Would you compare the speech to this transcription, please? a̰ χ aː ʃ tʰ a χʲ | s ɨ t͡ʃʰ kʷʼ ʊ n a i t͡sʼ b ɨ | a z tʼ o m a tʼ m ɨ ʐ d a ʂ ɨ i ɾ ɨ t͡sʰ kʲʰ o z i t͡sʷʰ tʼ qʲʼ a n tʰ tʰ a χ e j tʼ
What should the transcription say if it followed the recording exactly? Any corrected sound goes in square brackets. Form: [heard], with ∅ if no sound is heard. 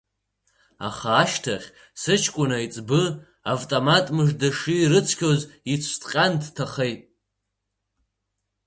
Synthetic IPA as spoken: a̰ χ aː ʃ tʰ a χʲ | s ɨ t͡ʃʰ kʷʼ ʊ n a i t͡sʼ b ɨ | a [v] tʼ o m a tʼ m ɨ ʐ d a ʂ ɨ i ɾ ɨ t͡sʰ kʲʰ o z i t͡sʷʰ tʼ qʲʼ a n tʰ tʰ a χ e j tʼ